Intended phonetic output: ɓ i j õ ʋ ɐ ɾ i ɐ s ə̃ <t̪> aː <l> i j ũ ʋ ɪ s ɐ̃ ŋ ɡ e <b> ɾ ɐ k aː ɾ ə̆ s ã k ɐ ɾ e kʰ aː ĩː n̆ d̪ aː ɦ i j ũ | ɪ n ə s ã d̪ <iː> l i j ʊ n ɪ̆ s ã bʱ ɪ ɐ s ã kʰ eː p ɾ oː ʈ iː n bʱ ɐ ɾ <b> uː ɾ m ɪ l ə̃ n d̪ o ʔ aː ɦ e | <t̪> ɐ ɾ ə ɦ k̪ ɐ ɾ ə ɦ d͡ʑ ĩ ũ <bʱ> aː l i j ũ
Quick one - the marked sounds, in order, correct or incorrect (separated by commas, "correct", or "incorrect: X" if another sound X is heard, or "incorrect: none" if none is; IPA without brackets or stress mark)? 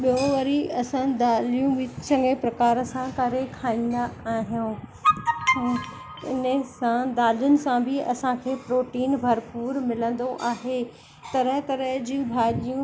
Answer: incorrect: d̪, correct, incorrect: p, incorrect: aː, incorrect: p, correct, correct